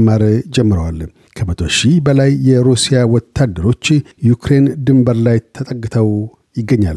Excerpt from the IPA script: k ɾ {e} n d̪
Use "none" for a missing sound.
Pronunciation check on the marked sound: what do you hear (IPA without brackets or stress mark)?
e